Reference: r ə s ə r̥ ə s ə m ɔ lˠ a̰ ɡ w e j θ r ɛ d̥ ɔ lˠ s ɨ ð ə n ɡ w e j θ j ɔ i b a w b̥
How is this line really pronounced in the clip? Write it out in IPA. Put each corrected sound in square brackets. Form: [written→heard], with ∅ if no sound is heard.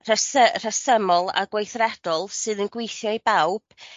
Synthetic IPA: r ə s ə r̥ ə s ə m ɔ lˠ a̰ ɡ w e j θ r ɛ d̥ ɔ lˠ s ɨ ð ə n ɡ w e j θ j ɔ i b a w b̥